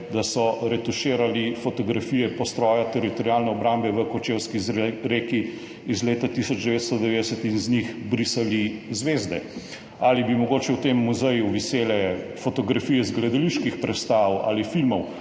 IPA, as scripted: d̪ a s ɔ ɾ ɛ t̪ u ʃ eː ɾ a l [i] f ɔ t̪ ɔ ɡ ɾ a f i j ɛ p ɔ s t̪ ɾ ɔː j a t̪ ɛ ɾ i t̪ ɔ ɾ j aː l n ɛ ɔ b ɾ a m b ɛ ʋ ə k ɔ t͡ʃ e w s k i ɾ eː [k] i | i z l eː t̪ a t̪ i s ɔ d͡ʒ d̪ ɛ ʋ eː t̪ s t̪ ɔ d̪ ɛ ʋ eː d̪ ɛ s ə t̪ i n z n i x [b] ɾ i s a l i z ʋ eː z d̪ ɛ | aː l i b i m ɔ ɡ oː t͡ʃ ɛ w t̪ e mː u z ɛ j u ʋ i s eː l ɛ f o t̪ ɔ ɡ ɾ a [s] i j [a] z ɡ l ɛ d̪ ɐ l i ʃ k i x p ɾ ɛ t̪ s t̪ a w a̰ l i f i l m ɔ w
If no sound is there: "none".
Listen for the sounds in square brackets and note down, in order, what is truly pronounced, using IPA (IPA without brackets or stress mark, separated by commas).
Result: i, k, b, f, ɛ